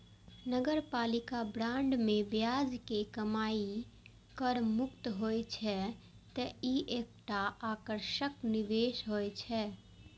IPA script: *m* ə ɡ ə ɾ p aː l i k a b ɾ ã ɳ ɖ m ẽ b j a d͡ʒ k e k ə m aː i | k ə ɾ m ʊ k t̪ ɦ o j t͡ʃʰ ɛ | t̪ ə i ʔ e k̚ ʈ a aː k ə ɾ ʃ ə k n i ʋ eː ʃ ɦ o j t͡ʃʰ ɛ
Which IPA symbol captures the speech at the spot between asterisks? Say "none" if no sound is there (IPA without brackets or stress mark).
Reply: n